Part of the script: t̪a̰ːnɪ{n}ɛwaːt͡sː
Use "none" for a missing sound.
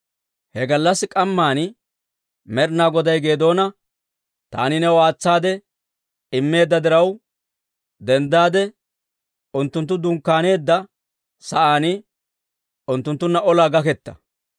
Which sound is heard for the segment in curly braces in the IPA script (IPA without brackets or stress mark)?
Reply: n